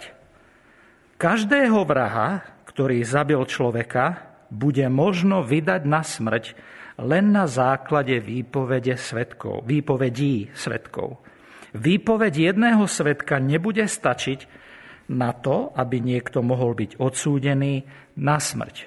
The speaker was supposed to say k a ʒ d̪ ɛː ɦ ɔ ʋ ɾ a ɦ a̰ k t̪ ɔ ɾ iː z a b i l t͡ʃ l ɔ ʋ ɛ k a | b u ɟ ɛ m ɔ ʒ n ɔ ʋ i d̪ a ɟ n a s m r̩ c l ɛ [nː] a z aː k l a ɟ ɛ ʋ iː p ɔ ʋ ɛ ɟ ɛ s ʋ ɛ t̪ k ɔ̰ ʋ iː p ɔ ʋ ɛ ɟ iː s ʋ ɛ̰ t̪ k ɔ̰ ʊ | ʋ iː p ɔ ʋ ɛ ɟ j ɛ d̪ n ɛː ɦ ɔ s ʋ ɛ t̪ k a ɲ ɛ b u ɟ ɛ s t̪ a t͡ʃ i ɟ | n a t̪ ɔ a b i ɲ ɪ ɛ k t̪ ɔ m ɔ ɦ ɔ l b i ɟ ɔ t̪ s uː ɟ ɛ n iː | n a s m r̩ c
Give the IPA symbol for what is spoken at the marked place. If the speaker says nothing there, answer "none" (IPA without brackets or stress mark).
nː